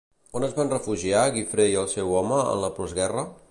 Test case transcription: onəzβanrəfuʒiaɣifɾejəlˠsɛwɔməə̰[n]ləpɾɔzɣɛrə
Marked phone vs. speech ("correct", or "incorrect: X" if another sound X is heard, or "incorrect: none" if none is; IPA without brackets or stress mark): correct